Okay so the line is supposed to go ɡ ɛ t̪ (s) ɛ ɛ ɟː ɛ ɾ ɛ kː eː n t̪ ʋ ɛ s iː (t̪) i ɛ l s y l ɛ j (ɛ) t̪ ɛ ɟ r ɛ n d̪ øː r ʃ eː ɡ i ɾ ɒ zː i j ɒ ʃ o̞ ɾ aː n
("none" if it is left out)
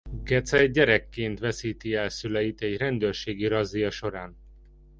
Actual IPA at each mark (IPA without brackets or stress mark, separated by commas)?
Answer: s, t̪, i